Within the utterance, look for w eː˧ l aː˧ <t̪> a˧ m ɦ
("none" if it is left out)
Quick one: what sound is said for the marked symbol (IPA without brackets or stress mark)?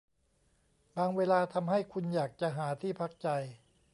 t̪ʰ